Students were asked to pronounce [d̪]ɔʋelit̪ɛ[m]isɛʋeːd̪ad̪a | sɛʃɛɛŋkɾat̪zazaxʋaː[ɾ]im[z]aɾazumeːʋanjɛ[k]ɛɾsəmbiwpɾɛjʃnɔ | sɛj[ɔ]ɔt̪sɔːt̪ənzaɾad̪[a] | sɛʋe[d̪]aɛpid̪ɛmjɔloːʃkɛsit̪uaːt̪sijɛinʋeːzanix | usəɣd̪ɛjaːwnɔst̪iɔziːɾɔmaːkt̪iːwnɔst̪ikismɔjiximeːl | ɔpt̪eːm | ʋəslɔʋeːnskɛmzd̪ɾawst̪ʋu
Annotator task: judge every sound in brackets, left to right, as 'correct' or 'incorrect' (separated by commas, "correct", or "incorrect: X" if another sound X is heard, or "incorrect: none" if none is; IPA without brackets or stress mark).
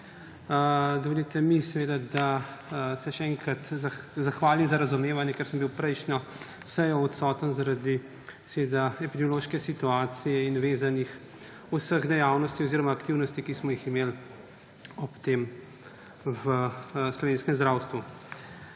correct, correct, incorrect: l, correct, correct, correct, incorrect: i, correct